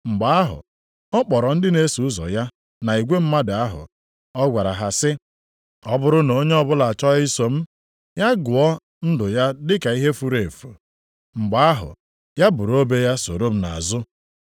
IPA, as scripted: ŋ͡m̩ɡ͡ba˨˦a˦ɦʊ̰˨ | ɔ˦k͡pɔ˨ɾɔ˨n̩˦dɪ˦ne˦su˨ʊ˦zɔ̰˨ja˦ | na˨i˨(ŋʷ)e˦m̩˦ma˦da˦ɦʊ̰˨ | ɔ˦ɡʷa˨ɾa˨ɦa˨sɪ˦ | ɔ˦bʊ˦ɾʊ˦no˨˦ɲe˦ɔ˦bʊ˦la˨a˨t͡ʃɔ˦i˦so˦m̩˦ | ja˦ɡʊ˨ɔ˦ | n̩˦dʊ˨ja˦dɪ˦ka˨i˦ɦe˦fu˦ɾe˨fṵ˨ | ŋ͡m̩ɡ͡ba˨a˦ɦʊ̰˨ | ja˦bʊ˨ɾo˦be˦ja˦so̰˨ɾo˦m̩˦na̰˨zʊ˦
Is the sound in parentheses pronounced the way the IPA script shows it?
no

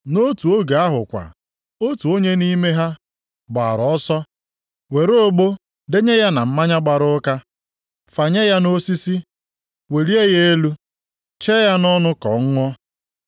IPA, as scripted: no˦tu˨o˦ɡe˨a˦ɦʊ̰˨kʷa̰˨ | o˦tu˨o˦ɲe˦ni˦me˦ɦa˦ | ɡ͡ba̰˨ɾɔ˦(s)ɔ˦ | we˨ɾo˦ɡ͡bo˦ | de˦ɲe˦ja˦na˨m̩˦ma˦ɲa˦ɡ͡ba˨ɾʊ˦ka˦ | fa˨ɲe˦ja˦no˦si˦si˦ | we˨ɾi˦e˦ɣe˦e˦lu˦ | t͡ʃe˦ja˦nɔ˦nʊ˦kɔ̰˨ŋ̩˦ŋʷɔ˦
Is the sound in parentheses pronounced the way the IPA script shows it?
yes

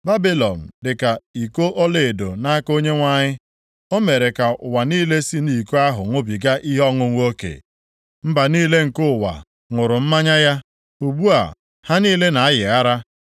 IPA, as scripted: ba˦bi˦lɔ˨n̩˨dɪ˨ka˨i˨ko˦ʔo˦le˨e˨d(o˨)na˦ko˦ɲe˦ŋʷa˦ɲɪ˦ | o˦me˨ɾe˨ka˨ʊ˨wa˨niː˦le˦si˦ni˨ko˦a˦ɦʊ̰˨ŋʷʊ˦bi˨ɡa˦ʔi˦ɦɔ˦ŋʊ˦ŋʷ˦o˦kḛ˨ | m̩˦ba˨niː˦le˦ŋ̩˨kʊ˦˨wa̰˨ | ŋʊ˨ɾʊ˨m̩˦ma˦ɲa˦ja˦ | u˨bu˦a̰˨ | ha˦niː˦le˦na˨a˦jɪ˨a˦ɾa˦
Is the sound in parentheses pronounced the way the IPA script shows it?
yes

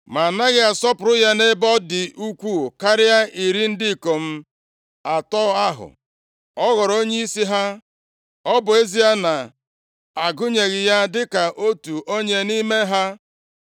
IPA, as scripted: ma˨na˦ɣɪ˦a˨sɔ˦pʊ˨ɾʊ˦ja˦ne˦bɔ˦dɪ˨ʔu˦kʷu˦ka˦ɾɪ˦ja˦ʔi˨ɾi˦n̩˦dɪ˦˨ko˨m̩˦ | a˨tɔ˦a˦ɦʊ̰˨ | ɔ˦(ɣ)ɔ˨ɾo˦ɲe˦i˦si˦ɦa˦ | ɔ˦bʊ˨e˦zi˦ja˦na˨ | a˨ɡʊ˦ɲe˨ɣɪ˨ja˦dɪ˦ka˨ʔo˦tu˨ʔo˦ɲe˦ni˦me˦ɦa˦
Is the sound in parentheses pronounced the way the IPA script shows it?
yes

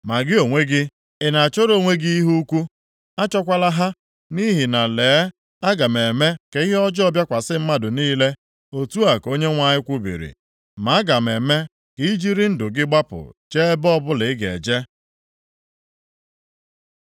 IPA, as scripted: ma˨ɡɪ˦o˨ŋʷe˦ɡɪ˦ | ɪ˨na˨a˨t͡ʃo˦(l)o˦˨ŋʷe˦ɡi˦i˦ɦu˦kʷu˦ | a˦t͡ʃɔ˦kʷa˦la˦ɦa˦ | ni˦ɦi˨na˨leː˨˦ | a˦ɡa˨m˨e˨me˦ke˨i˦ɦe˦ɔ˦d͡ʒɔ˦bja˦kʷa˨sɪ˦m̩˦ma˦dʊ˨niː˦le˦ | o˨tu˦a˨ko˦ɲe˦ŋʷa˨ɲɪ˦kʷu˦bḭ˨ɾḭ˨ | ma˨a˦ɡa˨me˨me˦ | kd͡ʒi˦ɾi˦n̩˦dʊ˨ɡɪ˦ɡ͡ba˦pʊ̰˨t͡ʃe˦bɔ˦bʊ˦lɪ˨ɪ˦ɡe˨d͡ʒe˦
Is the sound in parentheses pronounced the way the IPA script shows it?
no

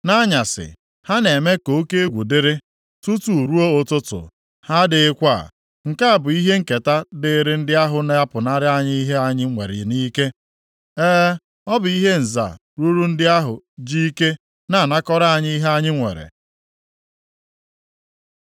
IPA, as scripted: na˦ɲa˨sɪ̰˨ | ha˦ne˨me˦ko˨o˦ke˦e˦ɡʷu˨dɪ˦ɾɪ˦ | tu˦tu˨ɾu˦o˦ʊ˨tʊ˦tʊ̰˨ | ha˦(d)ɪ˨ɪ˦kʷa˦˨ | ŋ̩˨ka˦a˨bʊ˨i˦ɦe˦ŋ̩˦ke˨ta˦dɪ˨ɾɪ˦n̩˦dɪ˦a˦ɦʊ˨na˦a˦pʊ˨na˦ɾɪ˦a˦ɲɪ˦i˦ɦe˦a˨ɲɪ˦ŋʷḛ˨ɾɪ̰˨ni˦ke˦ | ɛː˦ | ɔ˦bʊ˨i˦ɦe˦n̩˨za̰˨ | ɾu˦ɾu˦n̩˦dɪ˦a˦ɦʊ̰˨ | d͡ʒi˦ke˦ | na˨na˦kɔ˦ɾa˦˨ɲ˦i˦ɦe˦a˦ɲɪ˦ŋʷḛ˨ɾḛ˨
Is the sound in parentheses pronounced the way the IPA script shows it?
yes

